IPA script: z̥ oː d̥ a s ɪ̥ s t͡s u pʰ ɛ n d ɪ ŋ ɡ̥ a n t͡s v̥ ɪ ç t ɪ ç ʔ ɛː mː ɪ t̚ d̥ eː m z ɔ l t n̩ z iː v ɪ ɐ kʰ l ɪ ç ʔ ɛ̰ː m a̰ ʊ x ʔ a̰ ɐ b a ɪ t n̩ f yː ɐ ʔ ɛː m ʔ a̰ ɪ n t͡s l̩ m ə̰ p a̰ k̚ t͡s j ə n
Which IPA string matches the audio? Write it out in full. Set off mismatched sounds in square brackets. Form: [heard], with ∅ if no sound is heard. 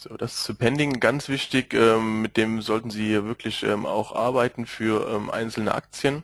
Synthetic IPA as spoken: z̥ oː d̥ a s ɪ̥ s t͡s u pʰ ɛ n d ɪ ŋ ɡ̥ a n t͡s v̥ ɪ ç t ɪ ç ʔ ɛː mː ɪ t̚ d̥ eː m z ɔ l t n̩ z iː v ɪ ɐ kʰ l ɪ ç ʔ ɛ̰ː m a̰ ʊ x ʔ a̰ ɐ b a ɪ t n̩ f yː ɐ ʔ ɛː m ʔ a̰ ɪ n t͡s l̩ [n] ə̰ [ʔ] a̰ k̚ t͡s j ə n